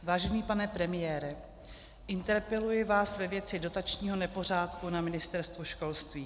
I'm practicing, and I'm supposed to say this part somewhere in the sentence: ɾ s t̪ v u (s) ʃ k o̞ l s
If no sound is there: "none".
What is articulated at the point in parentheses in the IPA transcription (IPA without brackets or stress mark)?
none